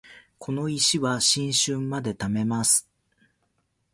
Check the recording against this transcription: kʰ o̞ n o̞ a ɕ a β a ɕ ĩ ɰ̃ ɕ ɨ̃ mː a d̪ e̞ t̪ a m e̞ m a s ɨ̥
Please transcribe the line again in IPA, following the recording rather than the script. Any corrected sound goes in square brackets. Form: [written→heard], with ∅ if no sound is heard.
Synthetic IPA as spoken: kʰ o̞ n o̞ [a→i] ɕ [a→i] β a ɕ ĩ ɰ̃ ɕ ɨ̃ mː a d̪ e̞ t̪ a m e̞ m a s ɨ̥